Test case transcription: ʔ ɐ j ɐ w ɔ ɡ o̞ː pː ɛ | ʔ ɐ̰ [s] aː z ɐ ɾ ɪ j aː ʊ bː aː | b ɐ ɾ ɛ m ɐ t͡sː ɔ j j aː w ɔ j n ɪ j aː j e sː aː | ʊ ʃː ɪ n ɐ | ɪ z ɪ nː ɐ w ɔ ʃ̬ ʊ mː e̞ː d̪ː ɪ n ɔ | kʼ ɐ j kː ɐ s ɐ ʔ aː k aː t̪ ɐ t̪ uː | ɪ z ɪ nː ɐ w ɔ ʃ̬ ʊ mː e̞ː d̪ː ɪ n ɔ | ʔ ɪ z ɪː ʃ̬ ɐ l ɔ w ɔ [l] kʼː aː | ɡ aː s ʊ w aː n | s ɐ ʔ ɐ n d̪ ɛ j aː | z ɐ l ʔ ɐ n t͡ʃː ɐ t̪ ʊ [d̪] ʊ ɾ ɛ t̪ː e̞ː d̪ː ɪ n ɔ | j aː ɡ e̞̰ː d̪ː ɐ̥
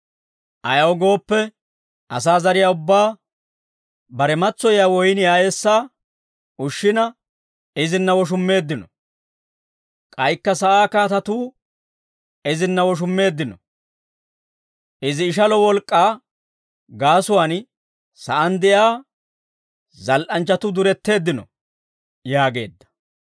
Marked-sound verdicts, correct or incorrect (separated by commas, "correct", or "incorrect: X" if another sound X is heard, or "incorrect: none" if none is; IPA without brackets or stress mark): correct, correct, correct